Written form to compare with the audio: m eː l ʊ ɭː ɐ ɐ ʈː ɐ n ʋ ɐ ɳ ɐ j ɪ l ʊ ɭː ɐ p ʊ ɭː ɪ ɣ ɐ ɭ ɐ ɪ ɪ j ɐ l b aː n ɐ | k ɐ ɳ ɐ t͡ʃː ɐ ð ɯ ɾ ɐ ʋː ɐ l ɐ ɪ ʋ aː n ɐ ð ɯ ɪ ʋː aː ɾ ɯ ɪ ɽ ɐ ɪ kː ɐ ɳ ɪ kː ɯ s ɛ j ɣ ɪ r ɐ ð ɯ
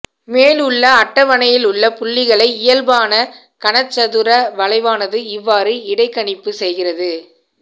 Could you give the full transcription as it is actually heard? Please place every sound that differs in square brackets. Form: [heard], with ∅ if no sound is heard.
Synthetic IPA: m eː l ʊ ɭː ɐ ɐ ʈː ɐ [∅] ʋ ɐ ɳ ɐ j ɪ l ʊ ɭː ɐ p ʊ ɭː ɪ ɣ ɐ ɭ ɐ ɪ ɪ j ɐ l b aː n ɐ | k ɐ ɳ ɐ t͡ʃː ɐ ð ɯ ɾ ɐ [ʋ] ɐ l ɐ ɪ ʋ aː n ɐ ð ɯ ɪ ʋː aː ɾ ɯ ɪ ɽ ɐ ɪ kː ɐ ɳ ɪ [pː] ɯ s ɛ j ɣ ɪ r ɐ ð ɯ